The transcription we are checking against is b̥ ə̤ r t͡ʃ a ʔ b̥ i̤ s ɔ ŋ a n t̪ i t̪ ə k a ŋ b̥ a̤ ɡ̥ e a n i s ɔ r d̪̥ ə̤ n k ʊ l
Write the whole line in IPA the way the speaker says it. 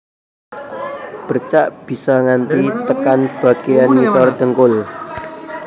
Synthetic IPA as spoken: b̥ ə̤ r t͡ʃ a ʔ b̥ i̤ s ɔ ŋ a n t̪ i t̪ ə k a n b̥ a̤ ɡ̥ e a n i s ɔ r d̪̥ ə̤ ŋ k ʊ l